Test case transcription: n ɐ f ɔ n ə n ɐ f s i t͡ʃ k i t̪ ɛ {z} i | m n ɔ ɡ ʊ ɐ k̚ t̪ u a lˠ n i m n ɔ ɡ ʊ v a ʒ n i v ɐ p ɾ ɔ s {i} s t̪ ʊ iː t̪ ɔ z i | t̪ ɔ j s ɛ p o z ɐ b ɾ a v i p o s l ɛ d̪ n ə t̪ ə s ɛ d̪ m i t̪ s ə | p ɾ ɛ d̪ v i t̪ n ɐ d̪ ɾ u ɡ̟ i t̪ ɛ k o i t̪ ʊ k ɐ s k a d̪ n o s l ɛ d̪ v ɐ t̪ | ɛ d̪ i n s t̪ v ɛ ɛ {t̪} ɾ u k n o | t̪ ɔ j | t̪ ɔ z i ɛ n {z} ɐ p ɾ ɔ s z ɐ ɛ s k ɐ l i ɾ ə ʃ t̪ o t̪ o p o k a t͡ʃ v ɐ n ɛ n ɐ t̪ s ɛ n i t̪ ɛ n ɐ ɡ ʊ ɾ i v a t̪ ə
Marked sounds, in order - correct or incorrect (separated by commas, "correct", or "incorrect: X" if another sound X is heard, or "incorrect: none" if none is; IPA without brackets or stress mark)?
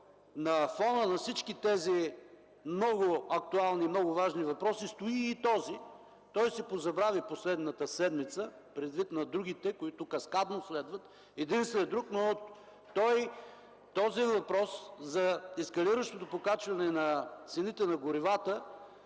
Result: correct, correct, incorrect: d̪, incorrect: v